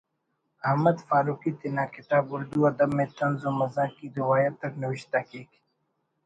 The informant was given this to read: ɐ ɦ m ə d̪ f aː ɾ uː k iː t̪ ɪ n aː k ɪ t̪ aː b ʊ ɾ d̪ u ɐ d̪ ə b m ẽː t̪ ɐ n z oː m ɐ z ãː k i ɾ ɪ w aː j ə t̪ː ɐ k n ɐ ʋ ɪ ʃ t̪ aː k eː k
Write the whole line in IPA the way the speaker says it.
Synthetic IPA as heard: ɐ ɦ m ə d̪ f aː ɾ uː k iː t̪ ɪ n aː k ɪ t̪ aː b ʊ ɾ d̪ u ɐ d̪ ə b m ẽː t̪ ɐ n z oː m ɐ z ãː k i ɾ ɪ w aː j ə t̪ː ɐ k n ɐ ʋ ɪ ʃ t̪ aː k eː k